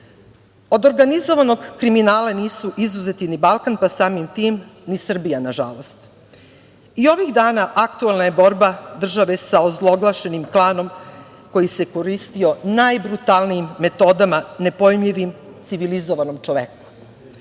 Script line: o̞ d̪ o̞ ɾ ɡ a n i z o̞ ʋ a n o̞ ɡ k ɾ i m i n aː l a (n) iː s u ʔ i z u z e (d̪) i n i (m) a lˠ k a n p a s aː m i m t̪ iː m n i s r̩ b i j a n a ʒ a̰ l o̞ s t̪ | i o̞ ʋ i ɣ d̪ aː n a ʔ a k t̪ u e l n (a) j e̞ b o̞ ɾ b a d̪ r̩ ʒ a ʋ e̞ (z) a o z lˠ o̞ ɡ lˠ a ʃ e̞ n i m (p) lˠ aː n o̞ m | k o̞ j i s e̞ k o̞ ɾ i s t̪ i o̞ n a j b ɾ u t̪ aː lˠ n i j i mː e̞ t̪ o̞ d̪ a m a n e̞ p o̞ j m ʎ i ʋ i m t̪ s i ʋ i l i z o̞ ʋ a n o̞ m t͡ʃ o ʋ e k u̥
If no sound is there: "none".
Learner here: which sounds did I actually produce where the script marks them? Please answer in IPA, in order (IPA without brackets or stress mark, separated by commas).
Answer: n, t̪, b, a, s, k